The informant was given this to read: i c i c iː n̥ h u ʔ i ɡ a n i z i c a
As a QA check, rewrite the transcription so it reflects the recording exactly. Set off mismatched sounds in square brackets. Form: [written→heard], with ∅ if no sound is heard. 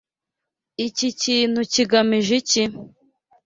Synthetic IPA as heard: i c i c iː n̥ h u [ʔ→c] i ɡ a [n→m] i [z→ʒ] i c [a→i]